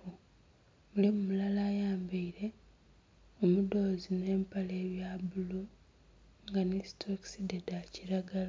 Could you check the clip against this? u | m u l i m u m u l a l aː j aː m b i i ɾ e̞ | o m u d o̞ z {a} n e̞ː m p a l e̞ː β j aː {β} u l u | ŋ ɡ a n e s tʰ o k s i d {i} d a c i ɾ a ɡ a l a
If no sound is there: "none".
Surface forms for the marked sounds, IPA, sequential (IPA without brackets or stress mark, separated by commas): i, b, e